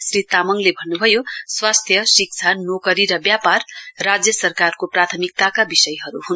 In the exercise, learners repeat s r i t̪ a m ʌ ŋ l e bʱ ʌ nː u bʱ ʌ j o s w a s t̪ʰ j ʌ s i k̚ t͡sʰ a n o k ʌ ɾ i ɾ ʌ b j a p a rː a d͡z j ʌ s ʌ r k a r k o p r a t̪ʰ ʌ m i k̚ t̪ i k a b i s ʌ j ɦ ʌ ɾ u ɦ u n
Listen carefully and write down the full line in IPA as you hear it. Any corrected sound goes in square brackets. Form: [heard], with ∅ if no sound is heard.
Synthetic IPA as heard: s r i t̪ a m ʌ ŋ l e bʱ ʌ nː u bʱ ʌ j o s w a s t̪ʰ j ʌ s i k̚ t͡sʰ a n o k ʌ ɾ i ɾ ʌ b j a p a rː a d͡z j ʌ s ʌ r k a r k o p r a t̪ʰ ʌ m i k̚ t̪ [a] k a b i s ʌ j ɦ ʌ ɾ u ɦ u n